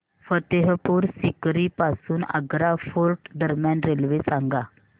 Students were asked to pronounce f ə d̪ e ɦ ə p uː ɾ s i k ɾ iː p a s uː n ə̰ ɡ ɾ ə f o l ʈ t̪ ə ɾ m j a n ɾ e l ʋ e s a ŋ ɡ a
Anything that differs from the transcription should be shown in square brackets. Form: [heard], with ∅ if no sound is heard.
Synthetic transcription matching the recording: f ə [t̪] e ɦ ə p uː ɾ s i k ɾ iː p a s uː n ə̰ ɡ ɾ [a] f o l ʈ [d̪] ə ɾ m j a n ɾ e l ʋ e s a ŋ ɡ a